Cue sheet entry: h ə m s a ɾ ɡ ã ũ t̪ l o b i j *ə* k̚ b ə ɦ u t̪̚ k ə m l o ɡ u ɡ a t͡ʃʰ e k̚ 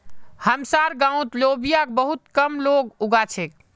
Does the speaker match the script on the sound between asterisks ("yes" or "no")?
no